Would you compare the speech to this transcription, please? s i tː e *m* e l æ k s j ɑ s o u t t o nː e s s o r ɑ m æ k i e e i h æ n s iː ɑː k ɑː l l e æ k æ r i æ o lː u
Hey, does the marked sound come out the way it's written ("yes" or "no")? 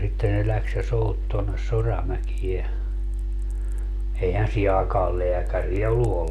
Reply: no